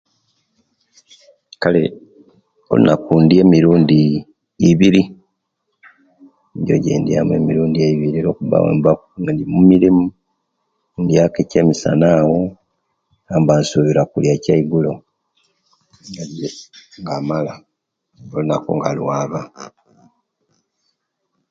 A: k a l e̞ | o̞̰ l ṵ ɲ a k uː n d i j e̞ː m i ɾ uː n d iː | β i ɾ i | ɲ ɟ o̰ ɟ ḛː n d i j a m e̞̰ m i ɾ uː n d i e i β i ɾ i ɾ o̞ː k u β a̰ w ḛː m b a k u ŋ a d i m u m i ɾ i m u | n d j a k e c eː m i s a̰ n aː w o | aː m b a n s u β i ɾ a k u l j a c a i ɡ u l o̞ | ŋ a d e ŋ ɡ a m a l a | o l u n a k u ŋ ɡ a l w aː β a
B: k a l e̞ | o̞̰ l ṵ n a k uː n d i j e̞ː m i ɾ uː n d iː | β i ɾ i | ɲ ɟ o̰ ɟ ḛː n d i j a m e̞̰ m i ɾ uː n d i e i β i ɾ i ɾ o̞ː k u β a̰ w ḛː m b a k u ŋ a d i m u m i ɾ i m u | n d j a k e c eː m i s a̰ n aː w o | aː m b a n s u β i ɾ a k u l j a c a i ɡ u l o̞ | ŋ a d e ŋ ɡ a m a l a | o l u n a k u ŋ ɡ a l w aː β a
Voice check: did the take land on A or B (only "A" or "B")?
B